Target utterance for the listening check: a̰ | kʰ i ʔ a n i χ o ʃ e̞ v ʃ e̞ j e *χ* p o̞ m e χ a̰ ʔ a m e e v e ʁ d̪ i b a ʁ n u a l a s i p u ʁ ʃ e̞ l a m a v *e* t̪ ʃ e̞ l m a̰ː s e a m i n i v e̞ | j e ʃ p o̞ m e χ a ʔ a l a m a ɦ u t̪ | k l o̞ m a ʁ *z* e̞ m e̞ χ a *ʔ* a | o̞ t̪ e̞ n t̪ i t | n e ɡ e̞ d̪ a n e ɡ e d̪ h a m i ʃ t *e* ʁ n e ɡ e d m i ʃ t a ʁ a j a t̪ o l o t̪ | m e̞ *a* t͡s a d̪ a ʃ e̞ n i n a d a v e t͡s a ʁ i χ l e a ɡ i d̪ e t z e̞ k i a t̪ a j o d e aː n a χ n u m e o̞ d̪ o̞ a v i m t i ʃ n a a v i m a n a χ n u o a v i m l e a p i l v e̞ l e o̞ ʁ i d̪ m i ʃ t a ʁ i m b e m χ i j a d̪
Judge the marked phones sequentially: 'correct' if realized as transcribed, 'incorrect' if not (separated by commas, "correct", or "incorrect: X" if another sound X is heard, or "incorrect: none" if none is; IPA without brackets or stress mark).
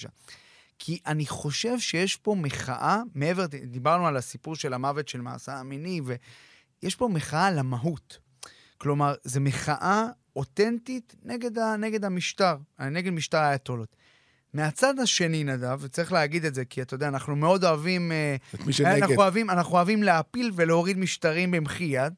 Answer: incorrect: ʃ, correct, correct, correct, incorrect: a, correct